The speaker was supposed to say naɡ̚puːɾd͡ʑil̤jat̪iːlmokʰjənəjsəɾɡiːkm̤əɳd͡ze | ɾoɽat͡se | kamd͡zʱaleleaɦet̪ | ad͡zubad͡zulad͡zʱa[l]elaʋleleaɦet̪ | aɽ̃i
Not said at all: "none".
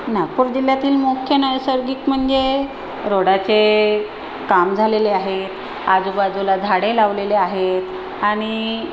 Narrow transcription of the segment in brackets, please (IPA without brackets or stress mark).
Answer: ɽ